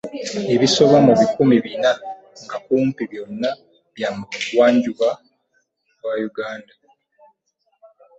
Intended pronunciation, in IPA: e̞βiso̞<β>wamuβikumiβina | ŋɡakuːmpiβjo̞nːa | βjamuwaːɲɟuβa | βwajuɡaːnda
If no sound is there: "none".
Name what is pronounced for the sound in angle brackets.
β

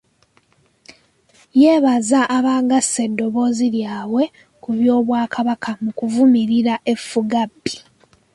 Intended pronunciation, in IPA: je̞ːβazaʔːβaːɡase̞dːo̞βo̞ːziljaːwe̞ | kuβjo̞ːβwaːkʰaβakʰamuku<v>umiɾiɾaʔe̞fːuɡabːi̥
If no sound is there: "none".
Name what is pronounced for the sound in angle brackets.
v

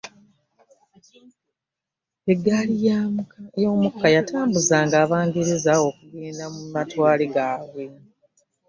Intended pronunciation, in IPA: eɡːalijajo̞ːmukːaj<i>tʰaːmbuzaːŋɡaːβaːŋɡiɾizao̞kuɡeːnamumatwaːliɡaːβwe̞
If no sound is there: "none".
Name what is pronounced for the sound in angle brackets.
a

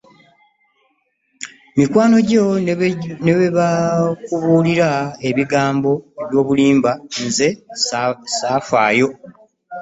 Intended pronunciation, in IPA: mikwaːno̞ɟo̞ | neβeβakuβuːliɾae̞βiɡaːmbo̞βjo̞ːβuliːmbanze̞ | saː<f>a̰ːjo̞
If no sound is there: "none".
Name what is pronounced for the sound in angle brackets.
f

